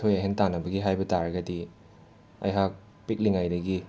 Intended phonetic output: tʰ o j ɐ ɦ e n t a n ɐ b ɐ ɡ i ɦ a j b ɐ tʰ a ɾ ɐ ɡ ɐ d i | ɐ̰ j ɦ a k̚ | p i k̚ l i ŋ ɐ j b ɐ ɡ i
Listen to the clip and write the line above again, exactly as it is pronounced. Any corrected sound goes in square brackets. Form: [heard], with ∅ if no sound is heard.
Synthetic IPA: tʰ o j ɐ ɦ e n t a n ɐ b ɐ ɡ i ɦ a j b ɐ [t] a ɾ ɐ ɡ ɐ d i | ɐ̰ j ɦ a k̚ | p i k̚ l i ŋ [a] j [d] ɐ ɡ i

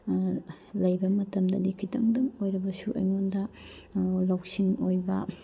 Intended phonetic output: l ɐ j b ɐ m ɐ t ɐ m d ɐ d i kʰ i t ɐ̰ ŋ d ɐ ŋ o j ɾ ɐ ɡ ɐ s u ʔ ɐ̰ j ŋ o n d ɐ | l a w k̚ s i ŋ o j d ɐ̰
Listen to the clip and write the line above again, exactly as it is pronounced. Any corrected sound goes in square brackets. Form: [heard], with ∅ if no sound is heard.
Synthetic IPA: l ɐ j b ɐ m ɐ t ɐ m d ɐ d i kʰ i t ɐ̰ ŋ d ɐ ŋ o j ɾ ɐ [b] ɐ s u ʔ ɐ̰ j ŋ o n d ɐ | l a w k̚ s i ŋ o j [b] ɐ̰

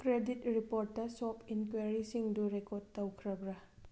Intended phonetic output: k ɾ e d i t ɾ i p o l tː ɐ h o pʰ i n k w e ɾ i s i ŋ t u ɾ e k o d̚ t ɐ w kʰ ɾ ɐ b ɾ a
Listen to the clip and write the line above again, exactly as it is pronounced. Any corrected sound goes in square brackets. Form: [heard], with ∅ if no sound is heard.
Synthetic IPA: k ɾ e d i t ɾ i p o [ɾ] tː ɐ [s] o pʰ i n k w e ɾ i s i ŋ [d] u ɾ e k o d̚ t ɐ w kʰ ɾ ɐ b ɾ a

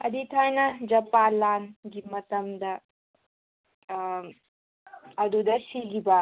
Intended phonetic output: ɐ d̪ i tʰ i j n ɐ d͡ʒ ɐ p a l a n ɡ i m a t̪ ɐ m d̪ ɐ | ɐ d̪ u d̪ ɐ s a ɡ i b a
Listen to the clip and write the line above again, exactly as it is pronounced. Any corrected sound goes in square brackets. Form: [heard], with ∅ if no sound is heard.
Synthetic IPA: ɐ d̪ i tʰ [a] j n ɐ d͡ʒ ɐ p a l a n ɡ i m [ɐ] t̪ ɐ m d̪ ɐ | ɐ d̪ u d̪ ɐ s [i] ɡ i b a

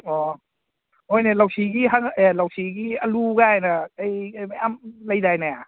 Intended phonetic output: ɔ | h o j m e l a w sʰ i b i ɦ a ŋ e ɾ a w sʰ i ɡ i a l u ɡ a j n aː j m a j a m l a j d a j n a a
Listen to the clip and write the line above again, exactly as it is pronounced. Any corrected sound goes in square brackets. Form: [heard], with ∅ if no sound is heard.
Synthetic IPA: ɔ | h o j [n] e l a w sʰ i [ɡ] i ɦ a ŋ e [l] a w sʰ i ɡ i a l u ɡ a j n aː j m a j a m l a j d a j n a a

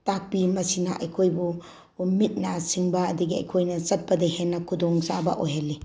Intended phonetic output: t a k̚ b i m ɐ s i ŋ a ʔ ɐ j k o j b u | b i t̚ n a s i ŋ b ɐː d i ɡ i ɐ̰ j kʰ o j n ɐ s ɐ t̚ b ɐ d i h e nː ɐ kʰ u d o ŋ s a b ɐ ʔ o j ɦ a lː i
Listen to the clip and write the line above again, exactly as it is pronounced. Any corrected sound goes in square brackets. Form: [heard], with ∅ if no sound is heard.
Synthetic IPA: t a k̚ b i m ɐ s i [n] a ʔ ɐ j [kʰ] o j b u | [m] i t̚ n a s i ŋ b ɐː d i ɡ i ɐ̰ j kʰ o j n ɐ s ɐ t̚ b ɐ d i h e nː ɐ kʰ u d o ŋ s a b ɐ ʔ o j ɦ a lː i

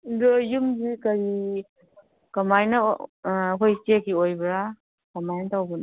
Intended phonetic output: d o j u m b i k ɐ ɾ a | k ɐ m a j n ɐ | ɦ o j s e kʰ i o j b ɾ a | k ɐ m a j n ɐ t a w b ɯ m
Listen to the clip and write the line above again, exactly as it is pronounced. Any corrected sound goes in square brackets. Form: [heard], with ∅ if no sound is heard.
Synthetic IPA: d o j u m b i k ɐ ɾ [i] | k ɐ m a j n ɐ | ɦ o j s e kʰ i o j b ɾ a | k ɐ m a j n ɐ t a w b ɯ [n]

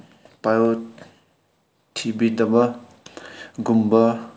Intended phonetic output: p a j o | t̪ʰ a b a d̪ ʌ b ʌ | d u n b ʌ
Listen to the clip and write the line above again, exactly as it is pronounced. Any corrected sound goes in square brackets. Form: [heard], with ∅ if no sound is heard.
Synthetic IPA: p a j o | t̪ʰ [i] b [i] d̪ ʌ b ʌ | [ɡ] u [m] b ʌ

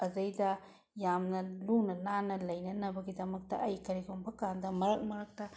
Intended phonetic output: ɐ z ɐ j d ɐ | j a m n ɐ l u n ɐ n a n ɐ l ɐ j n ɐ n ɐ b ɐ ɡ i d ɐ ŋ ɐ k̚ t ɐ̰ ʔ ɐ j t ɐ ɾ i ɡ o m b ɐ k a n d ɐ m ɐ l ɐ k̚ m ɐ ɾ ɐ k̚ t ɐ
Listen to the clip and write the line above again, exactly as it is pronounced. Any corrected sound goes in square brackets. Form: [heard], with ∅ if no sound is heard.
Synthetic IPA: ɐ z ɐ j d ɐ | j a m n ɐ l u n ɐ n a n ɐ l ɐ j n ɐ n ɐ b ɐ ɡ i d ɐ [m] ɐ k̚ t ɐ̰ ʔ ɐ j [k] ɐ ɾ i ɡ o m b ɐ k a n d ɐ m ɐ [ɾ] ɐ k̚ m ɐ ɾ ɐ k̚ t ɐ

